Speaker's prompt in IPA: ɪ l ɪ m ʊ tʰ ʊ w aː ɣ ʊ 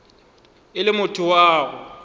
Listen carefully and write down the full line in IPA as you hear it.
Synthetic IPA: ɪ l ɪ m ʊ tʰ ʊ w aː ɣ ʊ